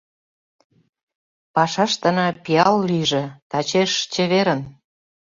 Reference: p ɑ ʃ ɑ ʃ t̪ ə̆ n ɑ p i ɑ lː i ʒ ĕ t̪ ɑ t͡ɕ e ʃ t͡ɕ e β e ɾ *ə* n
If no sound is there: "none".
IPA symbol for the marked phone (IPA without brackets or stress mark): ə